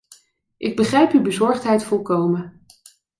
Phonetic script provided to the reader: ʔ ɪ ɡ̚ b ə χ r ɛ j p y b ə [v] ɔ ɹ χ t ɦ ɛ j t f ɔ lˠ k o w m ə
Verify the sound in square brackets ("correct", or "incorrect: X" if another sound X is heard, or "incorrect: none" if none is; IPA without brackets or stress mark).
incorrect: z